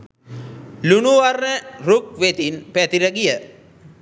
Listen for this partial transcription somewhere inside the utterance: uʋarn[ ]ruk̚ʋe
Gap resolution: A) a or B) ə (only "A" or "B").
B